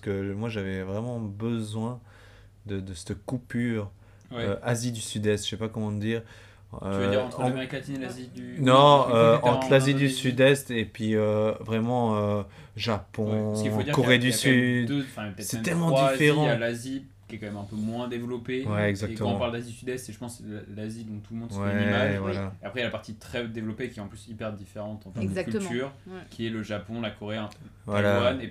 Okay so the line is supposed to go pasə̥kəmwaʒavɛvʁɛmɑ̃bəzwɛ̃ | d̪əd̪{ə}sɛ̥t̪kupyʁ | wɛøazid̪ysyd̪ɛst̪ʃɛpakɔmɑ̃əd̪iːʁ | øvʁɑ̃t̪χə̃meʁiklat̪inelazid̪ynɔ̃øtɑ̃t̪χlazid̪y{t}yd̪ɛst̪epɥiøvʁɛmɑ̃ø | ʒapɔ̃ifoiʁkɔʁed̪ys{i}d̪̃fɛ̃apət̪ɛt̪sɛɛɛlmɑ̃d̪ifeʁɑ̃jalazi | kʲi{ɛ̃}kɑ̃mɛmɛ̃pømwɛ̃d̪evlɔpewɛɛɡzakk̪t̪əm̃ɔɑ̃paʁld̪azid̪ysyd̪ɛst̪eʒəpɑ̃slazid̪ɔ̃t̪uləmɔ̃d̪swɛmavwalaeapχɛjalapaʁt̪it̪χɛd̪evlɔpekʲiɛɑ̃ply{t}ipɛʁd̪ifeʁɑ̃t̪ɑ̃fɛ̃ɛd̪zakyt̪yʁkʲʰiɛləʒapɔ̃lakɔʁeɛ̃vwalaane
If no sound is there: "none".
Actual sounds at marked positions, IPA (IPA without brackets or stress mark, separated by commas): ə, s, y, ɛ, s